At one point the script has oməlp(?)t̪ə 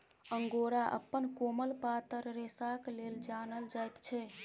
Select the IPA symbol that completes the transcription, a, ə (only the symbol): a